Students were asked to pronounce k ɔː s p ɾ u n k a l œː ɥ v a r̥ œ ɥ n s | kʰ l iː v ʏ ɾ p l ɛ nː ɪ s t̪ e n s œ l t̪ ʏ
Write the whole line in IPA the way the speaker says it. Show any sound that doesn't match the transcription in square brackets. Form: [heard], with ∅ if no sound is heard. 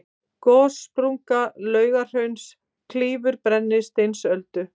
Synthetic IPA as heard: k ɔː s p ɾ u [ŋ] k a l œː ɥ [ɣ] a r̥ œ ɥ n s | kʰ l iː v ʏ ɾ p [ɾ] ɛ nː ɪ s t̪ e n s œ l t̪ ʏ